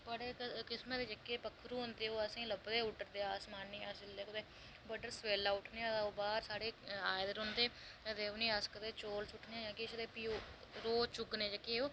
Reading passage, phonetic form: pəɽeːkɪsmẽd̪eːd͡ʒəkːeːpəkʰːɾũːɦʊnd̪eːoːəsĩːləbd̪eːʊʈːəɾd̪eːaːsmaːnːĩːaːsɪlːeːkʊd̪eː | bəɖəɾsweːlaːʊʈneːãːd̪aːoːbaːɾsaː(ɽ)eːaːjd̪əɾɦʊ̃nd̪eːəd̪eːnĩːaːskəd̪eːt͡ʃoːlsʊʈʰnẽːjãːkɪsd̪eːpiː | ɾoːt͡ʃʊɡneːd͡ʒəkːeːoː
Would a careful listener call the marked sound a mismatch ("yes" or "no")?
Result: no